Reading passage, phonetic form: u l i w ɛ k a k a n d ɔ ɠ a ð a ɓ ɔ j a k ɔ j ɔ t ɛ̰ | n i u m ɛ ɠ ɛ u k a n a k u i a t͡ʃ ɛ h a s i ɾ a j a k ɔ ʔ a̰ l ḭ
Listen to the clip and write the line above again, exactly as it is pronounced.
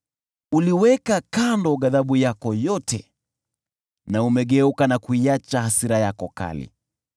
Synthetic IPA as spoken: u l i w ɛ k a k a n d ɔ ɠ a ð a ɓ u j a k ɔ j ɔ t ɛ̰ | n a u m ɛ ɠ ɛ u k a n a k u i a t͡ʃ a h a s i ɾ a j a k ɔ k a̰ l ḭ